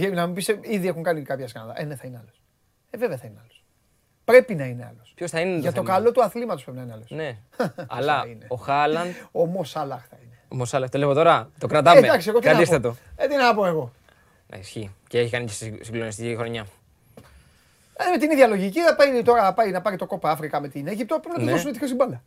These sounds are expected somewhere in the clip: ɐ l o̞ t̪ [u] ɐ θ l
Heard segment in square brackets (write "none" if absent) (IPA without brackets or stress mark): u